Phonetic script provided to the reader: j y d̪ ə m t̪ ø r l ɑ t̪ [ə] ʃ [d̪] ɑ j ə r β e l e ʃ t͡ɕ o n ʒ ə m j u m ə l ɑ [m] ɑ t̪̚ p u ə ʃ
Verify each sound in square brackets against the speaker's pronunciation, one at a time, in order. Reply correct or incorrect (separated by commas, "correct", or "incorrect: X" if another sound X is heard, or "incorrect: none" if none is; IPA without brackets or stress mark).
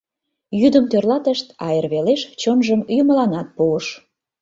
correct, incorrect: t̪, incorrect: n